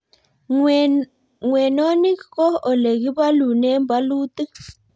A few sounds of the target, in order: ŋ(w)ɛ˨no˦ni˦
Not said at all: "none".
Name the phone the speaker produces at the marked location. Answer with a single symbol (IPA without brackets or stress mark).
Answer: w